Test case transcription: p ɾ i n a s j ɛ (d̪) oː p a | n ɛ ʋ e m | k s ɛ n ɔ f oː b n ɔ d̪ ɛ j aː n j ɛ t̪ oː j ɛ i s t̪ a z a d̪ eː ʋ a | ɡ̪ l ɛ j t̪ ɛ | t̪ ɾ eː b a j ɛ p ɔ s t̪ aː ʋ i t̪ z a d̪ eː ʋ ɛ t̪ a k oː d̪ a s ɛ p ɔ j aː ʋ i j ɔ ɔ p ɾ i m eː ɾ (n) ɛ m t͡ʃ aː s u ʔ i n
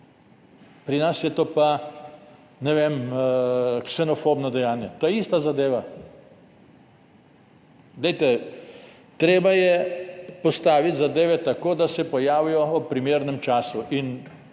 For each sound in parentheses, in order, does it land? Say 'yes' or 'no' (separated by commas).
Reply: no, yes